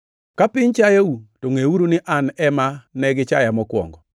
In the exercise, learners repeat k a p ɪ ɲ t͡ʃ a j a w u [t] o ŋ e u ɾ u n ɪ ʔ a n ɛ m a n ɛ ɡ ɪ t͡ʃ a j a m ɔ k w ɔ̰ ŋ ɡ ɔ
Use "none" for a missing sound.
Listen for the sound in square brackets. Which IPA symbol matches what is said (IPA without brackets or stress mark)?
t